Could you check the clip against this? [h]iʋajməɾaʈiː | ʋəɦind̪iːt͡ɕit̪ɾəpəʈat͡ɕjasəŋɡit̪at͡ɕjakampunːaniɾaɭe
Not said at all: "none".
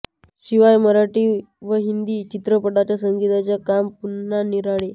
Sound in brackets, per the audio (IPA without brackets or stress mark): ɕ